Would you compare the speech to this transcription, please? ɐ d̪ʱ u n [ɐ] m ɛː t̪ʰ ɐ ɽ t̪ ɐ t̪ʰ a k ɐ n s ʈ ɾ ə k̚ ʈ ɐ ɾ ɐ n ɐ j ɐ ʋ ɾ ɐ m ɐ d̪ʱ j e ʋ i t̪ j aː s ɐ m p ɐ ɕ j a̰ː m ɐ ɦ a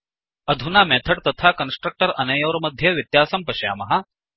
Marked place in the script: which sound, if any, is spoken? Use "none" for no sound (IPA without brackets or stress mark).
a